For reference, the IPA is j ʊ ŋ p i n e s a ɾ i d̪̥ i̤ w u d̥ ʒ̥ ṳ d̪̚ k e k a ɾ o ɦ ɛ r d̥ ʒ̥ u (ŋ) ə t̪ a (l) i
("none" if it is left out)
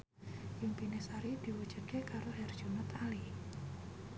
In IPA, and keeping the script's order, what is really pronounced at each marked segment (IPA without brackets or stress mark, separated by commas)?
n, l